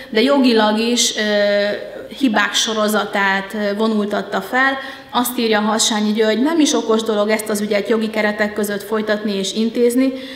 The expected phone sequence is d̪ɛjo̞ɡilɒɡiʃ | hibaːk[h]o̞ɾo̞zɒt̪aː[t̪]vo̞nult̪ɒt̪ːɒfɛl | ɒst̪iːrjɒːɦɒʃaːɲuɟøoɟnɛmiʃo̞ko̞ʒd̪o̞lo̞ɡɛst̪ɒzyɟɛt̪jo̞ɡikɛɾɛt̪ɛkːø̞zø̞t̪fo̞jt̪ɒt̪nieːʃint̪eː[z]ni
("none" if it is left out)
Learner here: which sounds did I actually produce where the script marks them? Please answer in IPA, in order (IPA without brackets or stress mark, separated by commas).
ʃ, t̪, z